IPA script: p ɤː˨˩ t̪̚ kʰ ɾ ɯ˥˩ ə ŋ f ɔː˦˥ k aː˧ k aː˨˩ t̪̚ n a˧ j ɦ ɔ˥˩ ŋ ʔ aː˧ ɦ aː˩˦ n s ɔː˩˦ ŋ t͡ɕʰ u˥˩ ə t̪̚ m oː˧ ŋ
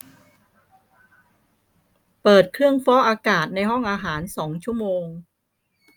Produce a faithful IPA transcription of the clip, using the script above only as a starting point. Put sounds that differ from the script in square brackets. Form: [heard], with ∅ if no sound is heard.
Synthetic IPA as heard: p ɤː˨˩ t̪̚ kʰ ɾ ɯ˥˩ ə ŋ f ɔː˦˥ [ʔ] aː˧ k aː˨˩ t̪̚ n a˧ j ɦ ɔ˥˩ ŋ ʔ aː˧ ɦ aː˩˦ n s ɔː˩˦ ŋ t͡ɕʰ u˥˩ ə [∅] m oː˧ ŋ